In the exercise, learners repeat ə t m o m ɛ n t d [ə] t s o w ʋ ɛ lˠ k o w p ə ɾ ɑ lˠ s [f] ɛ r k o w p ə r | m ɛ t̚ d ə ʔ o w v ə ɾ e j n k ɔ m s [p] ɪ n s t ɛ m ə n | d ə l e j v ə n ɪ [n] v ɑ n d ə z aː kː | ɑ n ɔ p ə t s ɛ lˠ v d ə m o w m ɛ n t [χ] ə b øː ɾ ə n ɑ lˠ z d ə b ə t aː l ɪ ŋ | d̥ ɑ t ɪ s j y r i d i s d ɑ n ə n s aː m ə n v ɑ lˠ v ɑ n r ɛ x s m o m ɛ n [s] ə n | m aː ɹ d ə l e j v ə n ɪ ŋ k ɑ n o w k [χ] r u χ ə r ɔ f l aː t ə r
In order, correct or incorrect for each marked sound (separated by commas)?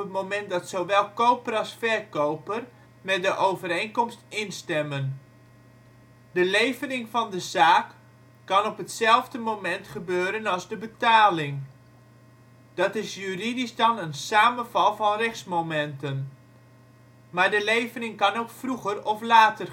incorrect, correct, incorrect, incorrect, correct, incorrect, incorrect